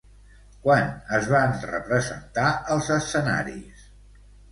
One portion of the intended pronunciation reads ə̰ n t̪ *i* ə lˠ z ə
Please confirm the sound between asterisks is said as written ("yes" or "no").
no